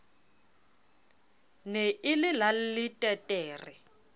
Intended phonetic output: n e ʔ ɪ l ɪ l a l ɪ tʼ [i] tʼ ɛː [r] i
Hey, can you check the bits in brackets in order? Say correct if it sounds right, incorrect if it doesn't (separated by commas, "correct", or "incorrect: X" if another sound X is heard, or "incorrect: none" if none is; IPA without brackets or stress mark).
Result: incorrect: ɛ, correct